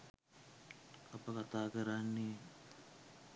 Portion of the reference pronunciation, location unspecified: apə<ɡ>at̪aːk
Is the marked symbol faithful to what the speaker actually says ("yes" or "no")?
no